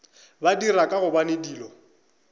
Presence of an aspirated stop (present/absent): absent